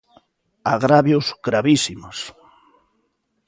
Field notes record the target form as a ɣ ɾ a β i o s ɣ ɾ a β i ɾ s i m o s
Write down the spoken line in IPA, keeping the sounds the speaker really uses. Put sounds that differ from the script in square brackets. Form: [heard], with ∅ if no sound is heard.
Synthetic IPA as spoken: a ɣ ɾ a β [j] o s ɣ ɾ a β i [∅] s i m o s